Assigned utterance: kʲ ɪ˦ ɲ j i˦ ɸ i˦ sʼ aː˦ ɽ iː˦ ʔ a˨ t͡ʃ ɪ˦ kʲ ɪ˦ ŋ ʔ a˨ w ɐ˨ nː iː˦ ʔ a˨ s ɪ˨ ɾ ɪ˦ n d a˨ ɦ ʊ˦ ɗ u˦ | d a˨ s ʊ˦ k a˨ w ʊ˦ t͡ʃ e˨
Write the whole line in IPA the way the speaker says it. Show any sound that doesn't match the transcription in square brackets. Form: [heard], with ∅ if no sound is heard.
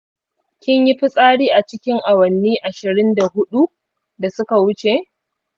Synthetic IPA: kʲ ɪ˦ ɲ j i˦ ɸ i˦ sʼ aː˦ ɽ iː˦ ʔ a˨ t͡ʃ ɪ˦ kʲ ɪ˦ ŋ ʔ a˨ w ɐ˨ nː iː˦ ʔ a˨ [ʃ] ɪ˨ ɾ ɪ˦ n d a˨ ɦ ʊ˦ ɗ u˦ | d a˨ s ʊ˦ k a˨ w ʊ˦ t͡ʃ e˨